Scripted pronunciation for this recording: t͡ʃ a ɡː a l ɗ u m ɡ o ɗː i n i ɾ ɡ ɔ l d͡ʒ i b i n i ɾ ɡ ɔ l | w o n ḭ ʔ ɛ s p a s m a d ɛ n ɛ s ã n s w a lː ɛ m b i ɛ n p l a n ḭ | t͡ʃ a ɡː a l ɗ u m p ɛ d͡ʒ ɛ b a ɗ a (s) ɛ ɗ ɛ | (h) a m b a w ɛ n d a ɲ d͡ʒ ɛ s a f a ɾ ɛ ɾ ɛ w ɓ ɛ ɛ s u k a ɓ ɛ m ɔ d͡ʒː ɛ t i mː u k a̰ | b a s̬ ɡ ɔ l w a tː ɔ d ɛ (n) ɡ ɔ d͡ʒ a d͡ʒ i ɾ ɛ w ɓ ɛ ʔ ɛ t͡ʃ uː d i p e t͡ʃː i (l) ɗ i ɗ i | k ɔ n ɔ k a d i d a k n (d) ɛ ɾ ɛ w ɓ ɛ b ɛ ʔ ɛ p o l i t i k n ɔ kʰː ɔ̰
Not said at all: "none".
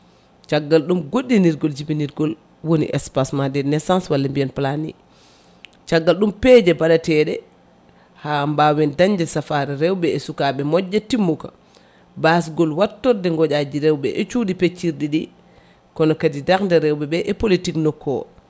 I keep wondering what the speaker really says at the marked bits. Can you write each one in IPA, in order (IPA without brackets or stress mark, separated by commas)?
t, h, ŋ, ɾ, d